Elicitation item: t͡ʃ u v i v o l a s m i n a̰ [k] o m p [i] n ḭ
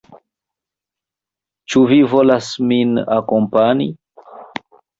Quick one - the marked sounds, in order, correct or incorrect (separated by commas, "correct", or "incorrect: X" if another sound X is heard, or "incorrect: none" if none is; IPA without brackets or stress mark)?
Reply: correct, incorrect: a